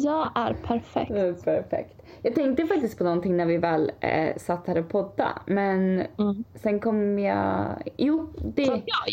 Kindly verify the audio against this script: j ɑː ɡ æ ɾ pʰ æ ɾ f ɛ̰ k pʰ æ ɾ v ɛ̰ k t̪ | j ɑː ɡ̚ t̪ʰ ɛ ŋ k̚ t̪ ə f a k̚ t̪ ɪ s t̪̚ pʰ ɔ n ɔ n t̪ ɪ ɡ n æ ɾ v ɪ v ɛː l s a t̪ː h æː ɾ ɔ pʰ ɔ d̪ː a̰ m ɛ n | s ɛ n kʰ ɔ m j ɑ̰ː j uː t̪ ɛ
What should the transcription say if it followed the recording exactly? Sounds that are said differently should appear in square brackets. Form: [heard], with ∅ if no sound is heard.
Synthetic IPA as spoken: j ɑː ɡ æ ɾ pʰ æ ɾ f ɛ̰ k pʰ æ ɾ [f] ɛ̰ k t̪ | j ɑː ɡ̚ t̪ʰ ɛ ŋ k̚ t̪ ə f a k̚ t̪ ɪ s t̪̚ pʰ ɔ n ɔ n t̪ ɪ [ŋ] n æ ɾ v ɪ v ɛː l s a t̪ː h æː ɾ ɔ pʰ ɔ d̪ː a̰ m ɛ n | s ɛ n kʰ ɔ m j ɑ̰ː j uː [d̪] ɛ